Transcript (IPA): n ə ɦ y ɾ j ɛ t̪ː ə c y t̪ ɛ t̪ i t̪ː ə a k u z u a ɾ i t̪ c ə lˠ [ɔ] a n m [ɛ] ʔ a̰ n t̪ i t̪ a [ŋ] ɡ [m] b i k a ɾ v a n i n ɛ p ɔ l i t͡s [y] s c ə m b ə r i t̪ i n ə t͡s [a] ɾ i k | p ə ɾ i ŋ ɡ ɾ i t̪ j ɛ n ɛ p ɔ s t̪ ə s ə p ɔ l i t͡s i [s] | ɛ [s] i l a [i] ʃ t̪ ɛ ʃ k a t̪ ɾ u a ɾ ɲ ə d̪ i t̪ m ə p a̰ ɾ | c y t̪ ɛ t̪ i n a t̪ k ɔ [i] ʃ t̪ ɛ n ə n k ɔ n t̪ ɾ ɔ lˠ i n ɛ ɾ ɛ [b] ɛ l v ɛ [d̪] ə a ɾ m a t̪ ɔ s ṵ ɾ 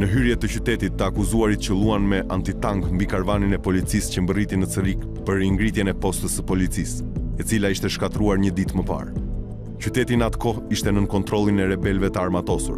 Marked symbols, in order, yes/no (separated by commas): no, yes, yes, yes, no, no, yes, no, yes, yes, yes, no